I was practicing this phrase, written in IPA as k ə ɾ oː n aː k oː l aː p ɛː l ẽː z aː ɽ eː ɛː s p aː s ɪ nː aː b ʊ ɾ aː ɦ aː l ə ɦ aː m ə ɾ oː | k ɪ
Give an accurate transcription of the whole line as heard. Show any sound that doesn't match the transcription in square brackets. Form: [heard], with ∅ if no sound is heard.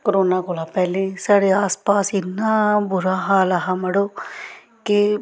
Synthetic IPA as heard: k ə ɾ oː n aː k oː l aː p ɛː l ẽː [s] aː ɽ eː [aː] s p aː s ɪ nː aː b ʊ ɾ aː ɦ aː l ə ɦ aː m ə [ɽ] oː | k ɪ